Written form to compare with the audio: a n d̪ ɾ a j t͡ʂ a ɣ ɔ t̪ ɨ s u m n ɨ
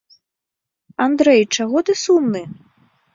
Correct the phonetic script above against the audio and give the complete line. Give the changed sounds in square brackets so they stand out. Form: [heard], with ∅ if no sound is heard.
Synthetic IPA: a n d̪ ɾ [ɛ] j t͡ʂ a ɣ ɔ t̪ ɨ s u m n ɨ